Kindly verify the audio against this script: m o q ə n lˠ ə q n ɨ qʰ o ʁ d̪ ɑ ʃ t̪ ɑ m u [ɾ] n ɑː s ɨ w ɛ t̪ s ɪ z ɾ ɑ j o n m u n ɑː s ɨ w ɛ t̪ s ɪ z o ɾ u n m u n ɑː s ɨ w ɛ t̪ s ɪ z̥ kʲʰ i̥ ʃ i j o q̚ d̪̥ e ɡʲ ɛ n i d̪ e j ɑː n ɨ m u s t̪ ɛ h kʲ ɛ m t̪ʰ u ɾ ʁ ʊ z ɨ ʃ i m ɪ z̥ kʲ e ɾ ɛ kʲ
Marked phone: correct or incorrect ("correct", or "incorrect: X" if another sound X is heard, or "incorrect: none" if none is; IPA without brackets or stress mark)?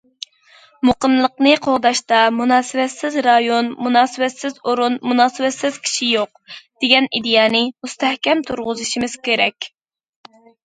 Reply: incorrect: none